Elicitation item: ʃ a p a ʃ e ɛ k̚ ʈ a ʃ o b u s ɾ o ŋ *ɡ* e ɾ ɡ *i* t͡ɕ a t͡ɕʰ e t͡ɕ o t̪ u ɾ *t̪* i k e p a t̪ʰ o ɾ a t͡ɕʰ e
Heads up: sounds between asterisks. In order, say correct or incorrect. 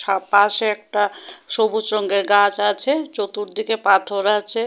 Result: correct, incorrect, incorrect

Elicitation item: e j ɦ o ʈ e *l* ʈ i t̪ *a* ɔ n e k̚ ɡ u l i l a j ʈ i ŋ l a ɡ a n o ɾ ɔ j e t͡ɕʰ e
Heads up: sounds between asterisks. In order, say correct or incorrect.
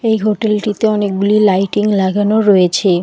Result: correct, incorrect

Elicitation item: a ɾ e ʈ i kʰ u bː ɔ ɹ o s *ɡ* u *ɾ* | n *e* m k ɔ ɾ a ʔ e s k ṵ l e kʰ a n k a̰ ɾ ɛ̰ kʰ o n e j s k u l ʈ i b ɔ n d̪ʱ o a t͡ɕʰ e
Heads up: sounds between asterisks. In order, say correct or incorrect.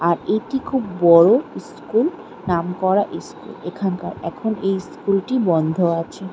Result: incorrect, incorrect, incorrect

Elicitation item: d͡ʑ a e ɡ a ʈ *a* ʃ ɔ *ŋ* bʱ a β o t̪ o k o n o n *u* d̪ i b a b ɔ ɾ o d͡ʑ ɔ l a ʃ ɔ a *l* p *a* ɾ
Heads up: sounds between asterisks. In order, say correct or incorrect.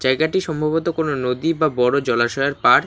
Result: incorrect, incorrect, incorrect, incorrect, correct

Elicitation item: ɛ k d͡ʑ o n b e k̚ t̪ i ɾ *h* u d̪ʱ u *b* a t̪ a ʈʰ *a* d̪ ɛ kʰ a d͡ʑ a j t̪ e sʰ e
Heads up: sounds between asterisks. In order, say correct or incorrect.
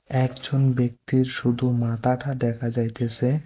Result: incorrect, incorrect, correct

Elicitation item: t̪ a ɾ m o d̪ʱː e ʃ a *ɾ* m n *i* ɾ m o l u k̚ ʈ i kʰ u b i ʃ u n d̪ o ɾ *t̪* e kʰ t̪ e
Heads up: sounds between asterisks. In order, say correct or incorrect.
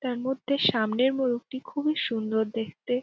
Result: incorrect, incorrect, incorrect

